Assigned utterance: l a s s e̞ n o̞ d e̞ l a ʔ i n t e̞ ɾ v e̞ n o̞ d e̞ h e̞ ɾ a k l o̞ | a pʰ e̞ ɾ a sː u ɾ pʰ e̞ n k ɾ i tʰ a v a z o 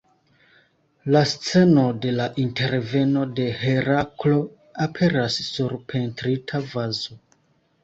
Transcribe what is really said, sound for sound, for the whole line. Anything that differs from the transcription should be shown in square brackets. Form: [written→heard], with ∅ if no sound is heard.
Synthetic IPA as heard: l a s [s→t͡s] e̞ n o̞ d e̞ l a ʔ i n t e̞ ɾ v e̞ n o̞ d e̞ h e̞ ɾ a k l o̞ | a pʰ e̞ ɾ a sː u ɾ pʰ e̞ n [k→t] ɾ i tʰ a v a z o